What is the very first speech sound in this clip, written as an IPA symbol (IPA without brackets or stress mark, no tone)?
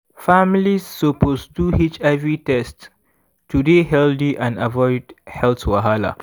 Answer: f